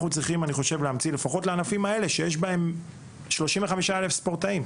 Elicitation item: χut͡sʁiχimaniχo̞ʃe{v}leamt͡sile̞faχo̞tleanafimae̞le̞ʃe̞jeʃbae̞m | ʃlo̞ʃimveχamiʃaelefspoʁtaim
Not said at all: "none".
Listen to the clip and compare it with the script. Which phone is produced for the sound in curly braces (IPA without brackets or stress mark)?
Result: v